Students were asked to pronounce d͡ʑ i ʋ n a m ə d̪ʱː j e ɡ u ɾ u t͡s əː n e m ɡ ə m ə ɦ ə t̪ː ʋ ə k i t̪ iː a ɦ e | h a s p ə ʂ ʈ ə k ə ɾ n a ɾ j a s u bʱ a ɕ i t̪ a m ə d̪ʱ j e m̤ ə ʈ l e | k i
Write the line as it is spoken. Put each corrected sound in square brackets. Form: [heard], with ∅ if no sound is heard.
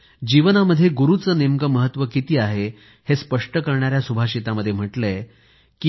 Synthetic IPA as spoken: d͡ʑ i ʋ n a m ə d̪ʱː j e ɡ u ɾ u t͡s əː n e m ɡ ə m ə ɦ ə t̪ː ʋ ə k i t̪ iː a ɦ e | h [e] s p ə ʂ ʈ ə k ə ɾ [ɳ] a ɾ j a s u bʱ a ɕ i t̪ a m ə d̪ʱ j e m̤ ə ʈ l e | k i